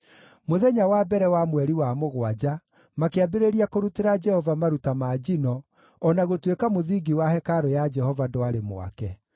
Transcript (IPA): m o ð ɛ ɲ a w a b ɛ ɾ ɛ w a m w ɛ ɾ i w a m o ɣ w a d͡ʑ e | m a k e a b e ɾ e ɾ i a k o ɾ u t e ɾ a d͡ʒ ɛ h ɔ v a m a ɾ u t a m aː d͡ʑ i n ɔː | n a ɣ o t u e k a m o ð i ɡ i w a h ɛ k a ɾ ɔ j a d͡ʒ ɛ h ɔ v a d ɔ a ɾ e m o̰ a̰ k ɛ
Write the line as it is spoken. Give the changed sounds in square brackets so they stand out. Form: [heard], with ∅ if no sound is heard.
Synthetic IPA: m o ð ɛ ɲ a w a b ɛ ɾ ɛ w a m w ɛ ɾ i w a m o ɣ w a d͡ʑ [a] | m a k e a b e ɾ e ɾ i a k o ɾ u t e ɾ a d͡ʒ ɛ h ɔ v a m a ɾ u t a m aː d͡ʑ i n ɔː | n a ɣ o t [w] e k a m o ð i ɡ i w a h ɛ k a ɾ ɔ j a d͡ʒ ɛ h ɔ v a d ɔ a ɾ e m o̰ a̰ k ɛ